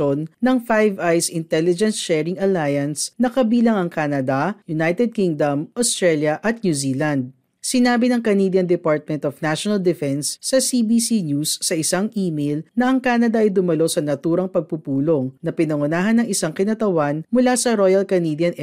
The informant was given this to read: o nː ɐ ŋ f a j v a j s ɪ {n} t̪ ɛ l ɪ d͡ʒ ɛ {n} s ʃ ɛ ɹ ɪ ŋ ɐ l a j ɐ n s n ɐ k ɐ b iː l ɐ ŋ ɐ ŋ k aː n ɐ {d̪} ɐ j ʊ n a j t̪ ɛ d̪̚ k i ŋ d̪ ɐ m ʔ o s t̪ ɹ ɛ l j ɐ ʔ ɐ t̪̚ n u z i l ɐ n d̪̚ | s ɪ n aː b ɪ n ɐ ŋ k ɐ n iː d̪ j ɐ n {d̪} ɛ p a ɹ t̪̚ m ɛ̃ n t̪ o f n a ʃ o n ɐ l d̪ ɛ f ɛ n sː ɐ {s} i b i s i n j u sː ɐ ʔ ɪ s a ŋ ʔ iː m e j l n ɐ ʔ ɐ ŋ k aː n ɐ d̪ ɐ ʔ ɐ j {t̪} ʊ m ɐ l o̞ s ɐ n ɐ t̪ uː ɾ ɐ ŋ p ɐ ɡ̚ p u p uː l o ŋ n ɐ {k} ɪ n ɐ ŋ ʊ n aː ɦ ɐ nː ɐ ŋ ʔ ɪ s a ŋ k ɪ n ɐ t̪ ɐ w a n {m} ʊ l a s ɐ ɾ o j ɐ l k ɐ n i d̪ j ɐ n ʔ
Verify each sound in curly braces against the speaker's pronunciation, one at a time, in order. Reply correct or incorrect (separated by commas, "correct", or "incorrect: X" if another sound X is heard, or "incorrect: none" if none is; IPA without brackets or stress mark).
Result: correct, correct, correct, correct, correct, incorrect: d̪, incorrect: p, correct